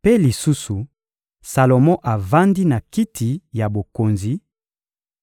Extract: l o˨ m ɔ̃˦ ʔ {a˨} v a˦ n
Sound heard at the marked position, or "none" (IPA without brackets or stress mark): a˨